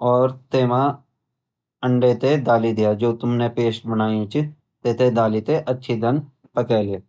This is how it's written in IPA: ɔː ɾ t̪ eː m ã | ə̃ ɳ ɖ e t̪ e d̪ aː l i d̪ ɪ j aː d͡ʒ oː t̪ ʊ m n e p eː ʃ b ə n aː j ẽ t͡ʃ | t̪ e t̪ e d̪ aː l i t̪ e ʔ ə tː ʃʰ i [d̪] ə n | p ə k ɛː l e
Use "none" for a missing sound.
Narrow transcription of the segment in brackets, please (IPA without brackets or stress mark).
d̪